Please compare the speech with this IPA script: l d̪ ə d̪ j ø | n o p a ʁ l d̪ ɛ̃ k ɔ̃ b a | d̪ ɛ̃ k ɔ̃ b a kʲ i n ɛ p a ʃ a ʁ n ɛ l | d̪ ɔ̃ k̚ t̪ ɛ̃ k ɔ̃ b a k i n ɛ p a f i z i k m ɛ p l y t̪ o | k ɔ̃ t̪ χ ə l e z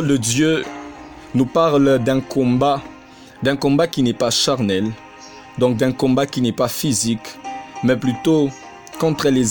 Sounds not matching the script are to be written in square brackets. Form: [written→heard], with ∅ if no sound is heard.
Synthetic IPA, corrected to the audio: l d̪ ə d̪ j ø | n [o→u] p a ʁ l d̪ ɛ̃ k ɔ̃ b a | d̪ ɛ̃ k ɔ̃ b a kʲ i n ɛ p a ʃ a ʁ n ɛ l | d̪ ɔ̃ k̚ [t̪→d̪] ɛ̃ k ɔ̃ b a k i n ɛ p a f i z i k m ɛ p l y t̪ o | k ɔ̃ t̪ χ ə l e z